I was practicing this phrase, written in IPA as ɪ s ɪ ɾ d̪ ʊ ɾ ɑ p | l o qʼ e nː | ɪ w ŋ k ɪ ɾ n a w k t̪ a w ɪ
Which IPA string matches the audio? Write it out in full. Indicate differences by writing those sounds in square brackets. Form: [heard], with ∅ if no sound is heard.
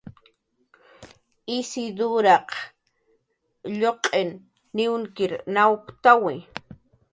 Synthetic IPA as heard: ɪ s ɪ [∅] d̪ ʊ ɾ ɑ [q] | [ʎ] o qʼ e nː | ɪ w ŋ k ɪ ɾ n a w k t̪ a w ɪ